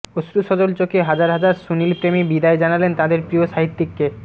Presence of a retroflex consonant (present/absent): absent